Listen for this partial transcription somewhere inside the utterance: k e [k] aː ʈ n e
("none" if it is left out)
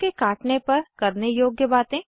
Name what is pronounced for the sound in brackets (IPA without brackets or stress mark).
k